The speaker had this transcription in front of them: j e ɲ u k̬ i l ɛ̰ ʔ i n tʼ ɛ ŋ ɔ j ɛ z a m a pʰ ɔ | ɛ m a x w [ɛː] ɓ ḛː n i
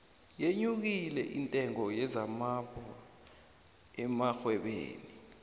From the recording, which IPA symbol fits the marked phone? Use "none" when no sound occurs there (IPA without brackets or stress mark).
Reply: ɛ